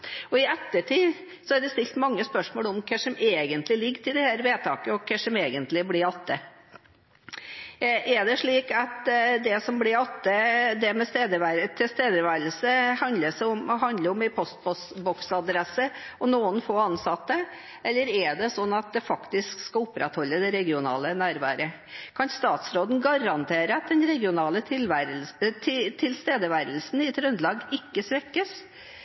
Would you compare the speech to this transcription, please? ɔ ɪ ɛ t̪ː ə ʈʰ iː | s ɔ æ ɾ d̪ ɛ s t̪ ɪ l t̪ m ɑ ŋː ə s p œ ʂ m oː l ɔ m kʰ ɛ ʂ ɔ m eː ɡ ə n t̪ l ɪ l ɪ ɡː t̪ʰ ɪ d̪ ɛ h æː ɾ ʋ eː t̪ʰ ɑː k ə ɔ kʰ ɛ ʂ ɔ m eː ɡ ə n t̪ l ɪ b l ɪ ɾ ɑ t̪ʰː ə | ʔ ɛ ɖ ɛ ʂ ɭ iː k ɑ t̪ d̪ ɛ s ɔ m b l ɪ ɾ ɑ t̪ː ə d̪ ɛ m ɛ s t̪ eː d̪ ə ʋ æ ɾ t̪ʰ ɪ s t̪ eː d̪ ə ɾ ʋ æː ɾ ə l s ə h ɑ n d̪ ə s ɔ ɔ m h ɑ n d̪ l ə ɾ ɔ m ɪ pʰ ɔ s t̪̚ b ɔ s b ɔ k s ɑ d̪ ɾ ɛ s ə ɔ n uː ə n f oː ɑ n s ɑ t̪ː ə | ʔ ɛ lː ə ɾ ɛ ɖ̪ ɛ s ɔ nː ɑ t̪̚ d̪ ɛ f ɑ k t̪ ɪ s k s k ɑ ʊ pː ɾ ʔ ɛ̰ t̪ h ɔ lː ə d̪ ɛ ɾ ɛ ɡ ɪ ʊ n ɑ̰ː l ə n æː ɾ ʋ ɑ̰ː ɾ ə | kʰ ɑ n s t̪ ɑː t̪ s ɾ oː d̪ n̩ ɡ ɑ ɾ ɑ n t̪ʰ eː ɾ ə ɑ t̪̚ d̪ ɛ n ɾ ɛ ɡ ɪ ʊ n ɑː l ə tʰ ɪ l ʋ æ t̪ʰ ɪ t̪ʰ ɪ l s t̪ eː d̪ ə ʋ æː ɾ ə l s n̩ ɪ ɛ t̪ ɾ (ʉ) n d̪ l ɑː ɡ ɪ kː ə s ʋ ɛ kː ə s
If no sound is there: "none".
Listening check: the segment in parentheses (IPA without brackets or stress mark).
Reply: ʉ